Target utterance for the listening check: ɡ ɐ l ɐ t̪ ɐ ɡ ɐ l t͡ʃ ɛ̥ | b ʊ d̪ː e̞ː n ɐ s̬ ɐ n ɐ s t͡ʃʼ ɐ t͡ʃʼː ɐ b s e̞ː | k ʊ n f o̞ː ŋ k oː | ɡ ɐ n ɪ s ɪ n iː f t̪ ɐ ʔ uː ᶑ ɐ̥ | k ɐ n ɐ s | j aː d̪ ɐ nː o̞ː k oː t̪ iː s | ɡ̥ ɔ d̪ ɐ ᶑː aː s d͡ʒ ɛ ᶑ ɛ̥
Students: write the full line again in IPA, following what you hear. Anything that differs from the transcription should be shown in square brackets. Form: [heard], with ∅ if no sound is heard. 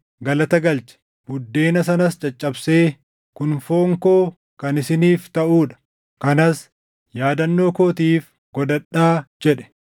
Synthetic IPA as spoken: ɡ ɐ l ɐ t̪ ɐ ɡ ɐ l t͡ʃ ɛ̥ | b ʊ d̪ː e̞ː n ɐ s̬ ɐ n ɐ s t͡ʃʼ ɐ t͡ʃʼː ɐ b s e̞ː | k ʊ n f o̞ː ŋ k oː | [k] ɐ n ɪ s ɪ n iː f t̪ ɐ ʔ uː ᶑ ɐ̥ | k ɐ n ɐ s | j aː d̪ ɐ nː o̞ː k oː t̪ iː [f] | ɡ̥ ɔ d̪ ɐ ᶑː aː [∅] d͡ʒ ɛ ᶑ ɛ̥